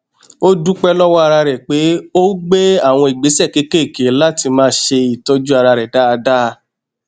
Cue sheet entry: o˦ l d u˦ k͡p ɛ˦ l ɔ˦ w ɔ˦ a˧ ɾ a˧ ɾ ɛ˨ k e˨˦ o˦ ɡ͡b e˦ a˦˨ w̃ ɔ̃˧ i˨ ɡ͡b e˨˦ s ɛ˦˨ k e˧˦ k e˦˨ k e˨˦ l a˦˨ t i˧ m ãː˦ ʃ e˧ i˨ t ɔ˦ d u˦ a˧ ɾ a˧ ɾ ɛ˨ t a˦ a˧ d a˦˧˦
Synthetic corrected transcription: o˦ d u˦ k͡p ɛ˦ l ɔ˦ w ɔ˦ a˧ ɾ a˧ ɾ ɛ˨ k͡p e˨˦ o˦ ɡ͡b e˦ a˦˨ w̃ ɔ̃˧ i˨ ɡ͡b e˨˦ s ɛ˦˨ k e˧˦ k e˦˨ k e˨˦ l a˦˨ t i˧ m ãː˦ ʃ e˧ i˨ t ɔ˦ d͡ʒ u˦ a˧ ɾ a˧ ɾ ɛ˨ d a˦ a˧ d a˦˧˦